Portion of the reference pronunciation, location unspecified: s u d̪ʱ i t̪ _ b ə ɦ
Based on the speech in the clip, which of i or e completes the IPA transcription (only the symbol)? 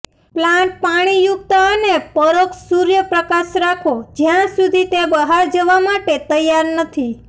e